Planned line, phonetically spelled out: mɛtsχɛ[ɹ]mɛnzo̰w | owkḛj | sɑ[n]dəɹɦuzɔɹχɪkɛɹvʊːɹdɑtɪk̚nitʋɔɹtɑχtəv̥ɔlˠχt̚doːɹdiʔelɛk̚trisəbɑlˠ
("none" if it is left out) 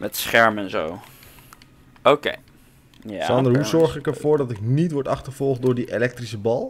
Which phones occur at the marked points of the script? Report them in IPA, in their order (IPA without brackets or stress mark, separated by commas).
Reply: ɹ, n